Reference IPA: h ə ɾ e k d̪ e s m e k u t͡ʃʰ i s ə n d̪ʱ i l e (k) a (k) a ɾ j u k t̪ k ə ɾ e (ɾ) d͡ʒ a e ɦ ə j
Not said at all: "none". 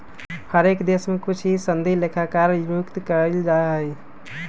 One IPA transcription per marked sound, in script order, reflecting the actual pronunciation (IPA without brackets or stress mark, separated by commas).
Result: kʰ, k, l